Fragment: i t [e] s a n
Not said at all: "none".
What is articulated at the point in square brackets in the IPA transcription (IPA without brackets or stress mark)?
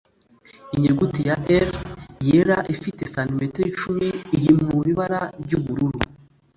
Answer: e